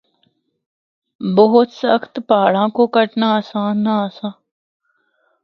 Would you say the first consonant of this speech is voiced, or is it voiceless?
voiced